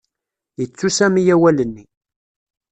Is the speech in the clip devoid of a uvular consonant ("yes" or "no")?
yes